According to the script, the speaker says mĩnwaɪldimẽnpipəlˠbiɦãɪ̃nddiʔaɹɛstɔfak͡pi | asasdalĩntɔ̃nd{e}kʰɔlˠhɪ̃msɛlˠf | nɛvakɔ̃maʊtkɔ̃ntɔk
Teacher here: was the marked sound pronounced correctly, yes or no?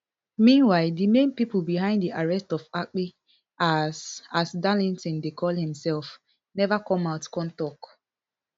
yes